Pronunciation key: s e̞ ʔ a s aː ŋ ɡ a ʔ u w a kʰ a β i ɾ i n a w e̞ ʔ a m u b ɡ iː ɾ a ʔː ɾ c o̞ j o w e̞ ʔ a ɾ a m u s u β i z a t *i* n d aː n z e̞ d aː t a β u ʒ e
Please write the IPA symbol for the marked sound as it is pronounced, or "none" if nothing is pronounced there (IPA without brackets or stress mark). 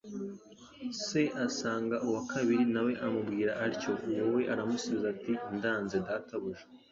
i